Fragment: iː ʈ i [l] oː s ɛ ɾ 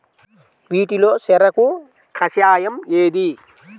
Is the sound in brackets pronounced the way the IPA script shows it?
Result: yes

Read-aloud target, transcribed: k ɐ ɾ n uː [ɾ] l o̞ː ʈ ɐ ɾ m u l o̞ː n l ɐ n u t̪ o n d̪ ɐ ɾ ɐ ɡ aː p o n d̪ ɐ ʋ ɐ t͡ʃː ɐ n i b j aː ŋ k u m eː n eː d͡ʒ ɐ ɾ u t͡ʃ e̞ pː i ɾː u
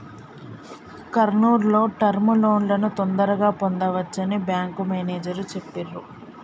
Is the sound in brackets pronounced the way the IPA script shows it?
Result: yes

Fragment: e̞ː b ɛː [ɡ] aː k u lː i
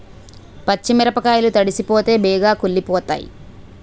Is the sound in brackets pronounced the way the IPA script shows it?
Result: yes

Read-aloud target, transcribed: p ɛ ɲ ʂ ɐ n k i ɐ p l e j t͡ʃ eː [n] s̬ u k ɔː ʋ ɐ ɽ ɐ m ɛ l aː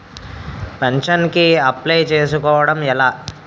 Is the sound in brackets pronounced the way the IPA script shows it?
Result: no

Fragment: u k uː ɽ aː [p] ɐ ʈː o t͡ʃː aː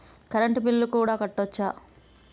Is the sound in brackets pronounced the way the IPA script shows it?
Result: no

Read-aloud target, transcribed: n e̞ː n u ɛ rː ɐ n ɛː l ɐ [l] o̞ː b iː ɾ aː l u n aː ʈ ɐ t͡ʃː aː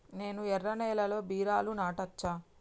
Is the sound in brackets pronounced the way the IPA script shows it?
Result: yes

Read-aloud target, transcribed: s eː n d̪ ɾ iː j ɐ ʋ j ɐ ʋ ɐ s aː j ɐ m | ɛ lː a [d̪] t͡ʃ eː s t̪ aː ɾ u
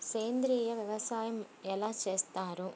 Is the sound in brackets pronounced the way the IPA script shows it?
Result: no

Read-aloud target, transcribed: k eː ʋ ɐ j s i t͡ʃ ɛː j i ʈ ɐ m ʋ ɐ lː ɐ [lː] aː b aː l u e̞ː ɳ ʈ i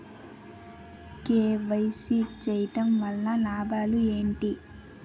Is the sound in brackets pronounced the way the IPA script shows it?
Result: no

